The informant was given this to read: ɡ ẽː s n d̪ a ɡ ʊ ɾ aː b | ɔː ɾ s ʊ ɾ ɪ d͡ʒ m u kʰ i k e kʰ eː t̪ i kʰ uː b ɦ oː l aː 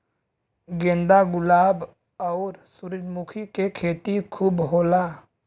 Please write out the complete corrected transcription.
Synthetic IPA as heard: ɡ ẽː n d̪ a ɡ ʊ l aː b | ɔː ɾ s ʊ ɾ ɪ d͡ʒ m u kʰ i k e kʰ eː t̪ i kʰ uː b ɦ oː l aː

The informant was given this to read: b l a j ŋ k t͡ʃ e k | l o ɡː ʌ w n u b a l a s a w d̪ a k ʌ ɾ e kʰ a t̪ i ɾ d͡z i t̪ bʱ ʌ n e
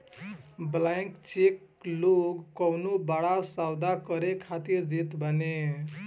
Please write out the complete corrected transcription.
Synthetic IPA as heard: b l a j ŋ k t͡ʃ e k | l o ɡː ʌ w n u b a ɽ a s a w d̪ a k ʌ ɾ e kʰ a t̪ i ɾ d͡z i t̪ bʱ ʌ n e

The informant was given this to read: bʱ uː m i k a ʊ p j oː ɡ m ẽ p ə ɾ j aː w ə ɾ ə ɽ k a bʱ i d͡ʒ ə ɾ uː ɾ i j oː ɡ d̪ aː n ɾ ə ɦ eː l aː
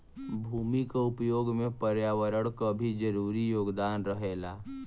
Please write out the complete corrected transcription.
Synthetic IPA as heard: bʱ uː m i k a ʊ p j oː ɡ m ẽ p ə ɾ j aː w ə ɾ ə ɽ k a bʱ i d͡ʒ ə ɾ uː ɾ i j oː ɡ d̪ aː n ɾ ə ɦ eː l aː

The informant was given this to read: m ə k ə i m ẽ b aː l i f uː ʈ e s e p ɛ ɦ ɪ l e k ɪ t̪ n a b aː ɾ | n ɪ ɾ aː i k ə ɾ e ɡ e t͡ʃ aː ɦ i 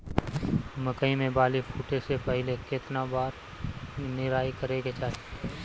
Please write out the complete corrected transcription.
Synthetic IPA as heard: m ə k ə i m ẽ b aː l i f uː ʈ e s e p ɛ ɦ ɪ l e k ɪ t̪ n a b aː ɾ | n ɪ ɾ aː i k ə ɾ e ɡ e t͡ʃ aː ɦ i

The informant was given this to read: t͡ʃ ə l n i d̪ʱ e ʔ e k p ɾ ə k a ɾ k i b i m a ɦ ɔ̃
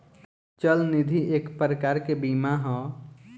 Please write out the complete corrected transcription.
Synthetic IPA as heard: t͡ʃ ə l n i d̪ʱ i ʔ e k p ɾ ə k a ɾ k e b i m a ɦ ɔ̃

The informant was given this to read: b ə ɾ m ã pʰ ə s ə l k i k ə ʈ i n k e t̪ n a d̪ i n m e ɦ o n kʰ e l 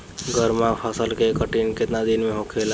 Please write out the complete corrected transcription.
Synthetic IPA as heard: ɡ ə ɾ m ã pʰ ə s ə l k e k ə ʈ i n k e t̪ n a d̪ i n m e ɦ o kʰ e l

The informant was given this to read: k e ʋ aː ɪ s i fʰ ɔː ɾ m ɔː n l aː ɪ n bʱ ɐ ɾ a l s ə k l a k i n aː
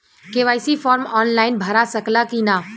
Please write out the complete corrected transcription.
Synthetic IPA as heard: k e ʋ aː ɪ s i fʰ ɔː ɾ m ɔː n l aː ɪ n bʱ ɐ ɾ a s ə k l a k i n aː

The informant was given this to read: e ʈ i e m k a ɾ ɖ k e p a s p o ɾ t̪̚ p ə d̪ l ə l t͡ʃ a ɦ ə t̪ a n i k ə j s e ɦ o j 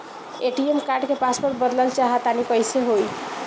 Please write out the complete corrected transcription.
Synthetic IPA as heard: e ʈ i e m k a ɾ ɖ k e p a s p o ɾ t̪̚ b ə d̪ l ə l t͡ʃ a ɦ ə t̪ a n i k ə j s e ɦ o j

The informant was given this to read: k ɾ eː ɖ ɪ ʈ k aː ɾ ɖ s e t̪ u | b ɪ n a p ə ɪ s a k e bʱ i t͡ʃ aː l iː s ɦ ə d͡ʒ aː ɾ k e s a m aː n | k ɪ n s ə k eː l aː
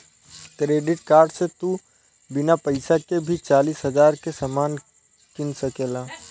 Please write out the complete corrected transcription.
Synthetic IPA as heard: k ɾ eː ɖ ɪ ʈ k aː ɾ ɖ s e t̪ u | b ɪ n a p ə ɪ s a k e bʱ i t͡ʃ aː l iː s ɦ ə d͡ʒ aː ɾ k e s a m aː n | k ɪ n s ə k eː l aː

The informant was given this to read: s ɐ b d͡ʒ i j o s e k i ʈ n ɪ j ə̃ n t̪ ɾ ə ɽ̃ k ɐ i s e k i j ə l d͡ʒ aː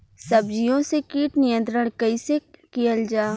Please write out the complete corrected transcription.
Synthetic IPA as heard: s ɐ b d͡ʒ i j õ s e k iː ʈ n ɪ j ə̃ n t̪ ɾ ə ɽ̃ k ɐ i s e k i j ə l d͡ʒ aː

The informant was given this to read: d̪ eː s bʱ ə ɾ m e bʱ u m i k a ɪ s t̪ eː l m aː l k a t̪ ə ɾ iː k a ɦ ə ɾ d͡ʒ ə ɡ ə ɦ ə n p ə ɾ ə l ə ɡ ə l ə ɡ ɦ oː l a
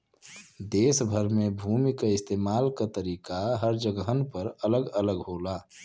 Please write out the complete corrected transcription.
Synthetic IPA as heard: d̪ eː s bʱ ə ɾ m e bʱ u m i k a ɪ s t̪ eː m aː l k a t̪ ə ɾ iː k a ɦ ə ɾ d͡ʒ ə ɡ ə ɦ ə n p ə ɾ ə l ə ɡ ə l ə ɡ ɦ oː l a

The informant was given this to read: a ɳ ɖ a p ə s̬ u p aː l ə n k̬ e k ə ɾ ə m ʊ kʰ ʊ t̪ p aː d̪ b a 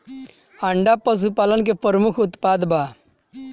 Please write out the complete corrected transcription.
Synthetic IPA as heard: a ɳ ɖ a p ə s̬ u p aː l ə n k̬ e p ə ɾ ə m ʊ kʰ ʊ t̪ p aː d̪ b a

